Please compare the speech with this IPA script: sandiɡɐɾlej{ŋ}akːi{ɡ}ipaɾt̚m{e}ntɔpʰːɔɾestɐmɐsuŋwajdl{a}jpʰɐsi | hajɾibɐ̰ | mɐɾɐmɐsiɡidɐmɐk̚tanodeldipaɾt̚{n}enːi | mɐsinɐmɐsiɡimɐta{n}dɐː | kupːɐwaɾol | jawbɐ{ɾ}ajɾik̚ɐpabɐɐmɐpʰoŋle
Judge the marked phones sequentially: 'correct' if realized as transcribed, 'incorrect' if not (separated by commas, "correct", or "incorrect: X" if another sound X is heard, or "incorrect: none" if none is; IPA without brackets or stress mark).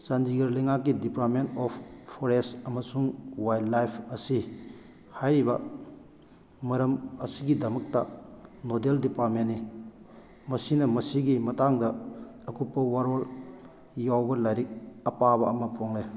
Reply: correct, incorrect: d, correct, correct, incorrect: m, incorrect: ŋ, incorrect: l